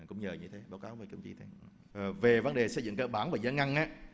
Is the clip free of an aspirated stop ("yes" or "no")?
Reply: no